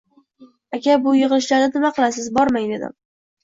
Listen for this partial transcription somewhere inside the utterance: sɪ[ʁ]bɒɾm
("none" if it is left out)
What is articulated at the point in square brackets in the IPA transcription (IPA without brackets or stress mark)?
z